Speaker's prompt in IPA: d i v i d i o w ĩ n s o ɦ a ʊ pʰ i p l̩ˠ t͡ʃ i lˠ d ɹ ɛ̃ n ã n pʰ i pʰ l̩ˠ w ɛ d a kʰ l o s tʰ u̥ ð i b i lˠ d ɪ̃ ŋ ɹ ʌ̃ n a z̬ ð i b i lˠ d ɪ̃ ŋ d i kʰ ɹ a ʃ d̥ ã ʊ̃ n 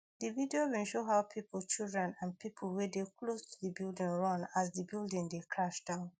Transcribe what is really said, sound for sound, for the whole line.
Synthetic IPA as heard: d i v i d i o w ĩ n ʃ o ɦ a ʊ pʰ i p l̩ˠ t͡ʃ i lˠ d ɹ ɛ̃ n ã n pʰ i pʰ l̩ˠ w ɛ d e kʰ l o s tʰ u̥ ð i b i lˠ d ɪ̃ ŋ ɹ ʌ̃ n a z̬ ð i b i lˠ d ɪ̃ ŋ d e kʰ ɹ a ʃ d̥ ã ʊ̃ n